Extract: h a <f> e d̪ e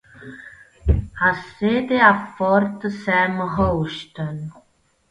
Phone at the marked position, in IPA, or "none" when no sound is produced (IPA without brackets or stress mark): s